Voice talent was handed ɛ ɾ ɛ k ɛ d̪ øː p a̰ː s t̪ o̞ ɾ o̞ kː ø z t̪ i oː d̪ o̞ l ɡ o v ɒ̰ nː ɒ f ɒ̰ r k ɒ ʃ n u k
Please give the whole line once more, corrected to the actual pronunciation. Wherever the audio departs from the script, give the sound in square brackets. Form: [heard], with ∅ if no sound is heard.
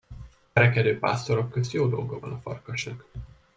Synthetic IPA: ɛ ɾ ɛ k ɛ d̪ øː p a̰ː s t̪ o̞ ɾ o̞ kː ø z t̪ [j] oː d̪ o̞ l ɡ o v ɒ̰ [n] ɒ f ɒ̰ r k ɒ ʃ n [ɒ] k